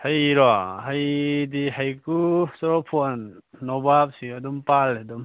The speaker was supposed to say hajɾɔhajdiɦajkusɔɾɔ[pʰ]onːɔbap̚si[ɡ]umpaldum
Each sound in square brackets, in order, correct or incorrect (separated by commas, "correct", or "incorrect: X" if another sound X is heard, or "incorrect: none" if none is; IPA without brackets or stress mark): correct, incorrect: d